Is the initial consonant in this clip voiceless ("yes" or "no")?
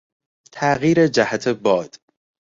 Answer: yes